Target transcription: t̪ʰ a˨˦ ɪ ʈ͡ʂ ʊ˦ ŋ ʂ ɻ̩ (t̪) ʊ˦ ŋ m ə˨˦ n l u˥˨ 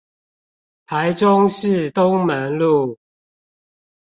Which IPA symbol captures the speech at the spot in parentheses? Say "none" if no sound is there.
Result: t̪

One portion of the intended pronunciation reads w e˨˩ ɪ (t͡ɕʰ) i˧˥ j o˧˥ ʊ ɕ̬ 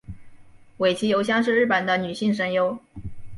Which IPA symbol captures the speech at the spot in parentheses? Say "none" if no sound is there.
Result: t͡ɕʰ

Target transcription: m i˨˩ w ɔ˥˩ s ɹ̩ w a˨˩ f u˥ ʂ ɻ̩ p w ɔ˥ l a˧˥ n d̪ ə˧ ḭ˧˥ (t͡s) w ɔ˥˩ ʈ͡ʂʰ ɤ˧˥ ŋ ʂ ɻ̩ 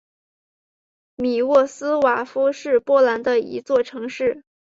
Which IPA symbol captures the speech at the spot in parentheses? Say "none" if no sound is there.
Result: t͡s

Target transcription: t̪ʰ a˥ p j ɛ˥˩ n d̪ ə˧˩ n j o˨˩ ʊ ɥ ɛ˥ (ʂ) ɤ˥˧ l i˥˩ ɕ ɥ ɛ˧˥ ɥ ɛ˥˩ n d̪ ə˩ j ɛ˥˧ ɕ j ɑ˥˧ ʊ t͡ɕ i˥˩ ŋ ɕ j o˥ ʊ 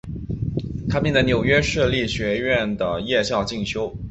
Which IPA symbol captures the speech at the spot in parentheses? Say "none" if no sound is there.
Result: ʂ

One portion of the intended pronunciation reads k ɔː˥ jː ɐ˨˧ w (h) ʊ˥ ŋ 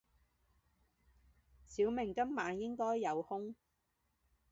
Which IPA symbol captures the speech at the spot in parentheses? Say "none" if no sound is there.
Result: h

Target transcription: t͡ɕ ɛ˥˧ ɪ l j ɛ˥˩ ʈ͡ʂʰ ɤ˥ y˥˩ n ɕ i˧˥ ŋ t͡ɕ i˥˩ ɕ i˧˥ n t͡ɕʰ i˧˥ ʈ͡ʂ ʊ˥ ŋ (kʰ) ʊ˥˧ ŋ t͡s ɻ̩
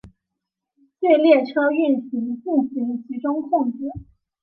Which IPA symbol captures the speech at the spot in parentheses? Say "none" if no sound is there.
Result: kʰ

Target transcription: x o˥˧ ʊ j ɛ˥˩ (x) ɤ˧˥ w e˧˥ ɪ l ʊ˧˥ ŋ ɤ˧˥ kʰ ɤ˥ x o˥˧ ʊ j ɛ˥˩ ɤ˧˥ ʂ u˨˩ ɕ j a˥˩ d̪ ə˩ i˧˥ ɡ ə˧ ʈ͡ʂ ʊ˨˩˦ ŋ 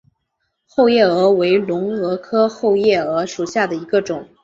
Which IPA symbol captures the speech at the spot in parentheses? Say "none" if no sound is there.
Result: none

